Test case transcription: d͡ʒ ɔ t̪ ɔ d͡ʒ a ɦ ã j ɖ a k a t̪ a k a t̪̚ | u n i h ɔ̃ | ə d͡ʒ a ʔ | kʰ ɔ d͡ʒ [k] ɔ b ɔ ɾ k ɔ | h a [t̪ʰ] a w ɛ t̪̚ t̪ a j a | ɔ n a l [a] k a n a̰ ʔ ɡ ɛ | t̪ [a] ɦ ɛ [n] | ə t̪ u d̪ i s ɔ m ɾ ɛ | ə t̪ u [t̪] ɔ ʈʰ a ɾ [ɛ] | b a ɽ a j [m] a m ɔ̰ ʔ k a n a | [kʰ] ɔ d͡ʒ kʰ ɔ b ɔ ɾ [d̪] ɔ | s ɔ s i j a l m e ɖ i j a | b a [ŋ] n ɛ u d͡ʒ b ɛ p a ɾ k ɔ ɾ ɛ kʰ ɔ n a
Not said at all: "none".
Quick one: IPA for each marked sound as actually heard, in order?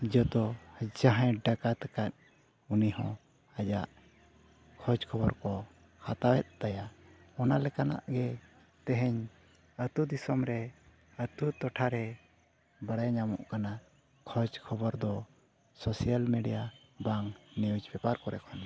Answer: kʰ, t̪, ɛ, ɛ, ɲ, t̪, ɛ, ɲ, kʰ, d̪, ŋ

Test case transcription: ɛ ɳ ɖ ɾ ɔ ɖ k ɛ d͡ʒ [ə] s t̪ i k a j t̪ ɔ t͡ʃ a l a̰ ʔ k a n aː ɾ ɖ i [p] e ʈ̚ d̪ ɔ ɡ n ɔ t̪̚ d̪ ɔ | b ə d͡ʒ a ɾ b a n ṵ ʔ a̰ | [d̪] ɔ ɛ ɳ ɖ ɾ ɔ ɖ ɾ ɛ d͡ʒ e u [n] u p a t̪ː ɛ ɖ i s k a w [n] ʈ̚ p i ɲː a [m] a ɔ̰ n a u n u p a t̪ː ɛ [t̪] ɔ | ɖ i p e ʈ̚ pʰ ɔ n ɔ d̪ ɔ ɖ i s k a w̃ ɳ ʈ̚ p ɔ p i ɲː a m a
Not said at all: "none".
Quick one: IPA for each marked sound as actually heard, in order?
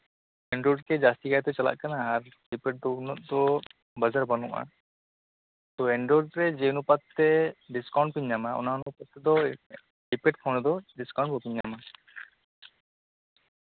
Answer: a, p, t̪, n, ɳ, m, d̪

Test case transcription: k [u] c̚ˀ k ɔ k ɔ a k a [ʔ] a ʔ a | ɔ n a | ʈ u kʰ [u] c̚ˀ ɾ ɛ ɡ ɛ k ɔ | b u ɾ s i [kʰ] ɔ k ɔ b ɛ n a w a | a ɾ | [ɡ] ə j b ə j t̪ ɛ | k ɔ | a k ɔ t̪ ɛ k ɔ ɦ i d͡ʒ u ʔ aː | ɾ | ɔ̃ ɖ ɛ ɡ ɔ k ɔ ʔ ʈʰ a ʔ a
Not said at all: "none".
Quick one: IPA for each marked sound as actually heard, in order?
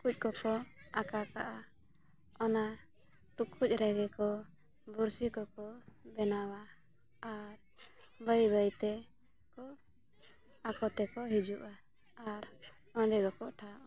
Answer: u, k, u, k, b

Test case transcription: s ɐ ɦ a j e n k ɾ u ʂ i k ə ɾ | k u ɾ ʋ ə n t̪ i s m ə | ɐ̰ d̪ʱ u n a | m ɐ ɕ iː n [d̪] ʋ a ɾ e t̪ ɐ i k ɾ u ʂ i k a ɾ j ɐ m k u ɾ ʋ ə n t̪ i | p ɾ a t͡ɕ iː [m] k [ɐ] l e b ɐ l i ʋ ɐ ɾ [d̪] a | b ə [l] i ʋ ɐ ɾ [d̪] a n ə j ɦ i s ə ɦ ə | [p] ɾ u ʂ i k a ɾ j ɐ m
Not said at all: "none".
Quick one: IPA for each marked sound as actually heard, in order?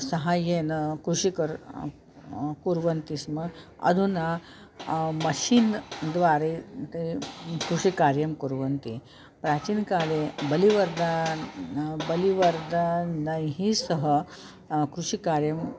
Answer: d̪, n, a, d̪, l, d̪, k

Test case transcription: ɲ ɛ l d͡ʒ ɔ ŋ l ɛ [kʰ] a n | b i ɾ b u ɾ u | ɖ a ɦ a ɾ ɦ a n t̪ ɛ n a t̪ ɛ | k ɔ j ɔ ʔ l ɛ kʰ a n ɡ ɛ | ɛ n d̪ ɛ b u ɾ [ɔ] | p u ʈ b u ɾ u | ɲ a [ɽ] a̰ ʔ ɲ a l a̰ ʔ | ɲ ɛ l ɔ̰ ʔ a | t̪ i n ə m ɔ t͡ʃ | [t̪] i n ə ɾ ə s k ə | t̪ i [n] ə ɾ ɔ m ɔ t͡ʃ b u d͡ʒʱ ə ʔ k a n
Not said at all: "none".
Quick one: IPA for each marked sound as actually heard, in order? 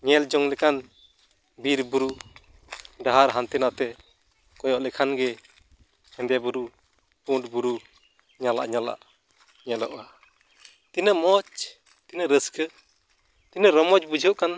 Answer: k, u, l, t̪, n

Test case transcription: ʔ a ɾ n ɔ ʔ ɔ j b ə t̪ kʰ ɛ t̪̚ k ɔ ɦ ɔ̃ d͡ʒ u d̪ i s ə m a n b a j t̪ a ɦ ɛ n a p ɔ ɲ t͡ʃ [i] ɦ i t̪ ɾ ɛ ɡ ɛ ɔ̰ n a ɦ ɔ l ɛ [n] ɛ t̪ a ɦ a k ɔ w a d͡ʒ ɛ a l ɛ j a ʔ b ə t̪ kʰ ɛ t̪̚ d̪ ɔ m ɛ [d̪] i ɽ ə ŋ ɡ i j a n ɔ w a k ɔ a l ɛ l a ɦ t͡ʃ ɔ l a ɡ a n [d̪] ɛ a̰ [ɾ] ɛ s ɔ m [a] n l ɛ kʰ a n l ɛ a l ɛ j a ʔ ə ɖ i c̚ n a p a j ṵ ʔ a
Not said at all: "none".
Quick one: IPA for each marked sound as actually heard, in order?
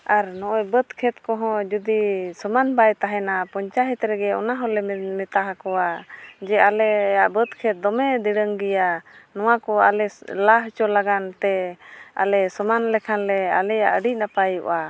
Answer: a, m, d̪, t̪, l, a

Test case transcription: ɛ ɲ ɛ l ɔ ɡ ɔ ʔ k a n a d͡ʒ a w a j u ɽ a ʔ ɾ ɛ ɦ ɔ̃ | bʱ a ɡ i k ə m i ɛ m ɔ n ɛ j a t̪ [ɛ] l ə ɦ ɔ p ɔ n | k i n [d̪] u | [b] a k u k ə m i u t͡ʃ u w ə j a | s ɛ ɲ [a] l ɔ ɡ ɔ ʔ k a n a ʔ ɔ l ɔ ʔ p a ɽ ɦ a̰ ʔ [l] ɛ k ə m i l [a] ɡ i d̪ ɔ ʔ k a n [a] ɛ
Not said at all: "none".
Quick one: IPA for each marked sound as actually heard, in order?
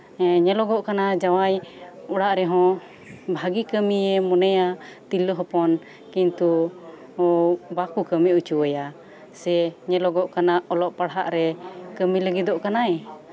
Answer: i, t̪, b, ɛ, ɾ, ə, a

